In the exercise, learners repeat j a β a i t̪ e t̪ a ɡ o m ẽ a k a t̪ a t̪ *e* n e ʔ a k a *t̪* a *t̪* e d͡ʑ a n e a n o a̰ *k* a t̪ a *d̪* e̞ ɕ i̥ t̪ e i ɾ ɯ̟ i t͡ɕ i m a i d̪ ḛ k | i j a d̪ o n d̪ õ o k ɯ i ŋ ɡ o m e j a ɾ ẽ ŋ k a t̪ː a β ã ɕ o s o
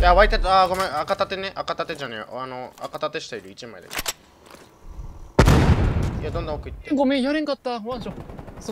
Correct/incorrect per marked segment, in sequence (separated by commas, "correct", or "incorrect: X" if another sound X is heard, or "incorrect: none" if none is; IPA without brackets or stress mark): correct, correct, correct, correct, incorrect: t̪